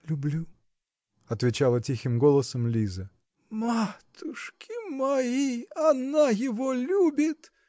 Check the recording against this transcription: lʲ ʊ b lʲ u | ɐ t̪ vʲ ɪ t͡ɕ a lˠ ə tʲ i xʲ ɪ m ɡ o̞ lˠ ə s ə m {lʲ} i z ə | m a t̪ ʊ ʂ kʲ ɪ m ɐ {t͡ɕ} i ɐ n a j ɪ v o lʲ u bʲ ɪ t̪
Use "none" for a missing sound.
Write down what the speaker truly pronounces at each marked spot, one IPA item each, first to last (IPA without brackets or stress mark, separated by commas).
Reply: lʲ, none